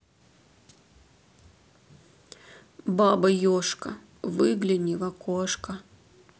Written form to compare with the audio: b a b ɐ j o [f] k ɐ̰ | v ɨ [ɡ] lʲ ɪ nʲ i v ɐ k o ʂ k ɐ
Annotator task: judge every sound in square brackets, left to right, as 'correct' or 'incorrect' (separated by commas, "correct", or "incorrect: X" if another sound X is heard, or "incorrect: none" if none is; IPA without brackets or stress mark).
incorrect: ʂ, correct